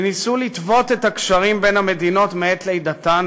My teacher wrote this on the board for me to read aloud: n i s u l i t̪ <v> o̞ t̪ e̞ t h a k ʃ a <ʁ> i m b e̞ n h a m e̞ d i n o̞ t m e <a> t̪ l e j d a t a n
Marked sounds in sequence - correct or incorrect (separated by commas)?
correct, correct, incorrect